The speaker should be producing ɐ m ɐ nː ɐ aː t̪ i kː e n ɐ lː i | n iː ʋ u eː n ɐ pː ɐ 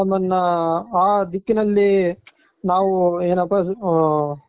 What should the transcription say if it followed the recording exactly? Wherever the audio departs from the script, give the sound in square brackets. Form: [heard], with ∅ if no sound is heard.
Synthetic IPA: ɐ m ɐ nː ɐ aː [d̪] i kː [i] n ɐ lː i | n [aː] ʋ u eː n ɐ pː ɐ